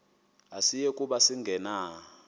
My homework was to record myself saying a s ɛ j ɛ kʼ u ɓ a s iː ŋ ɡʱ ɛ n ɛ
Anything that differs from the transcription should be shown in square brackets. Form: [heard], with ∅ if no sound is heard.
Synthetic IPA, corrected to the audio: a s [i] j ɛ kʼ u ɓ a s [i] ŋ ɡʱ ɛ n [a]